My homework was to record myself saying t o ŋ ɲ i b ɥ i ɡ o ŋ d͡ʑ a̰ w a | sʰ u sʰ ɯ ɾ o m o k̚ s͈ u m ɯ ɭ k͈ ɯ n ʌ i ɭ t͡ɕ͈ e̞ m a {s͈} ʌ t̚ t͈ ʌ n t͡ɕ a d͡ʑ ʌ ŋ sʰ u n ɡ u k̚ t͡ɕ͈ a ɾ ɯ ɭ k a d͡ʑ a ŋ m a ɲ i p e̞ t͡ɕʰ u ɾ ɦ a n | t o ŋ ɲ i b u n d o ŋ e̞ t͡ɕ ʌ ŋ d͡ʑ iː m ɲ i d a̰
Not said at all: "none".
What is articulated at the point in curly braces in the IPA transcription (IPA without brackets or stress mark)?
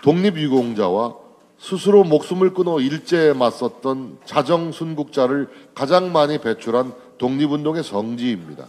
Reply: s͈